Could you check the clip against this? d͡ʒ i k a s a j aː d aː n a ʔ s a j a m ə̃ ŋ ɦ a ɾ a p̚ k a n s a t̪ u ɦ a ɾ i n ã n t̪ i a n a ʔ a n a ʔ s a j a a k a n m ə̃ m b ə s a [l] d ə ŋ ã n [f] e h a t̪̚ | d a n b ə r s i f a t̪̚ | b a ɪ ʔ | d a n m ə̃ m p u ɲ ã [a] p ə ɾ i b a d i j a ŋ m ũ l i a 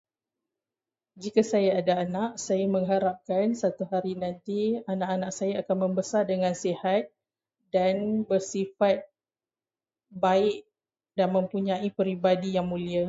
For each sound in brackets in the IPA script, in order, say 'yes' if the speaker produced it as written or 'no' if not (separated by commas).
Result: no, no, no